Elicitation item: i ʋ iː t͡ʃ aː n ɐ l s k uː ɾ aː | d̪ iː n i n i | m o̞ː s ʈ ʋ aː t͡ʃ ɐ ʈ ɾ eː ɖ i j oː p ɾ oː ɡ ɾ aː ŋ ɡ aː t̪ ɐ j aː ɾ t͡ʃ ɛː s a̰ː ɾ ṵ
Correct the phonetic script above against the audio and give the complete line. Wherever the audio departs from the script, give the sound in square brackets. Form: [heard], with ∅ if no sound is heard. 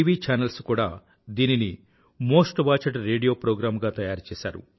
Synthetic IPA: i ʋ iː t͡ʃ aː n ɐ l s k uː [ɽ] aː | d̪ iː n i n i | m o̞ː s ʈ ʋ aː t͡ʃ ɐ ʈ ɾ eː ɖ i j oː p ɾ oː ɡ ɾ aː [m] ɡ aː t̪ ɐ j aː ɾ t͡ʃ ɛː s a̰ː ɾ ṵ